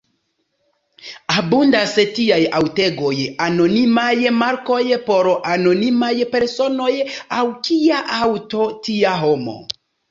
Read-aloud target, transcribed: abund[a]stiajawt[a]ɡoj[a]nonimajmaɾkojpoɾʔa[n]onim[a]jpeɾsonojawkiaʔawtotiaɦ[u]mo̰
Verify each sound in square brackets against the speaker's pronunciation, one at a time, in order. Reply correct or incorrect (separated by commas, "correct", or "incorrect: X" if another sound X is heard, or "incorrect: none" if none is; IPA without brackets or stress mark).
correct, incorrect: e, correct, correct, correct, incorrect: o